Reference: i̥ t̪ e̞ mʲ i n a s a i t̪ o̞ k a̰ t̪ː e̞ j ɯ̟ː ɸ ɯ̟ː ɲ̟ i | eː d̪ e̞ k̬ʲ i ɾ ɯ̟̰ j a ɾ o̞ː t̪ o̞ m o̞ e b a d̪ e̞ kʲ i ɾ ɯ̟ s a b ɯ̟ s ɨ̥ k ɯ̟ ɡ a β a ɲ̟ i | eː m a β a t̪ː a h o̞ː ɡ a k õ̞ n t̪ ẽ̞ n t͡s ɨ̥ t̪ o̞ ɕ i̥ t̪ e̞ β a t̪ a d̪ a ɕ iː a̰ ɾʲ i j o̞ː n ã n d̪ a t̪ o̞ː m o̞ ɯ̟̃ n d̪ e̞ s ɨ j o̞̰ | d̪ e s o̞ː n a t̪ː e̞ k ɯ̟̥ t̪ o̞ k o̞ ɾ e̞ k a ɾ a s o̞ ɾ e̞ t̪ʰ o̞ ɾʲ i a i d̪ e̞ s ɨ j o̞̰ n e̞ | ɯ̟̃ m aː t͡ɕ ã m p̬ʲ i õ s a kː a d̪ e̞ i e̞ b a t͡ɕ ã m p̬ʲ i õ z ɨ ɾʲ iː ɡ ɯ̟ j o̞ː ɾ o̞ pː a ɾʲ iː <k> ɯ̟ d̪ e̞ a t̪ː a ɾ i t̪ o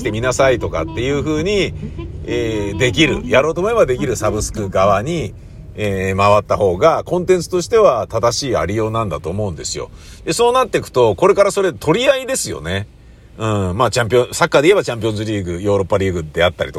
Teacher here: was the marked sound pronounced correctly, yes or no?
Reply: no